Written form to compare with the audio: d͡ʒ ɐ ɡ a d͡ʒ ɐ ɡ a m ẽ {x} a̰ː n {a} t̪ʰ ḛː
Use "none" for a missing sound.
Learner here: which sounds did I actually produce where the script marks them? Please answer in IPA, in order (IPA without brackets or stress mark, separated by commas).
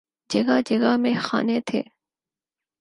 x, e